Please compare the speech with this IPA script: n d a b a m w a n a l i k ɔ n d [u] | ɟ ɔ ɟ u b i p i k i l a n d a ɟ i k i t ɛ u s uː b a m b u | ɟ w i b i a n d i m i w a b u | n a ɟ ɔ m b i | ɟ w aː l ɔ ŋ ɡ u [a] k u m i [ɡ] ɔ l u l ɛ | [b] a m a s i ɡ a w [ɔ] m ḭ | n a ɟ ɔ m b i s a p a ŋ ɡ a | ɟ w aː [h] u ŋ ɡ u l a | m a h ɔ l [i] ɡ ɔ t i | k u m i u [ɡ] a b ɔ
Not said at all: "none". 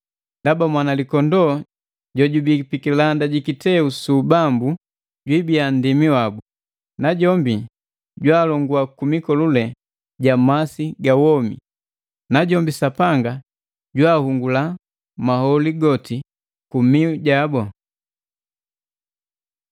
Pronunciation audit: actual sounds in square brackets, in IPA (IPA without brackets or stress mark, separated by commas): ɔ, a, k, ɟ, ɔ, h, i, ɟ